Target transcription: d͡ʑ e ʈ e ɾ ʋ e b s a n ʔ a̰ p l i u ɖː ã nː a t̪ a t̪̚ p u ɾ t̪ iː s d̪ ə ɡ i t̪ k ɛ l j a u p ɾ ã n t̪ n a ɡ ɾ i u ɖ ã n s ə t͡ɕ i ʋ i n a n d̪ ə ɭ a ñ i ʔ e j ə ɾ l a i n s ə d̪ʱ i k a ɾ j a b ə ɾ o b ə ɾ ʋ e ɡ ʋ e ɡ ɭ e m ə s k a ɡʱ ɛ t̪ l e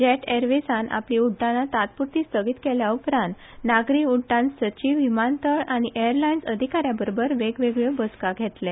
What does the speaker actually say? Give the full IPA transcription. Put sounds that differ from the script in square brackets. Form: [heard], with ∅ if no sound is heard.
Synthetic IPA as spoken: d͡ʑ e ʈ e ɾ ʋ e [∅] s a n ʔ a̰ p l i u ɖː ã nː a t̪ a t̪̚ p u ɾ t̪ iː s [t̪] ə ɡ i t̪ k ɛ l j a u p ɾ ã n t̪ n a ɡ ɾ i u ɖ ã n s ə t͡ɕ i ʋ i [m] a n [t̪] ə ɭ a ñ i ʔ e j ə ɾ l a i n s ə d̪ʱ i k a ɾ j a b ə ɾ o b ə ɾ ʋ e ɡ ʋ e ɡ ɭ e [b] ə s k a ɡʱ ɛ t̪ l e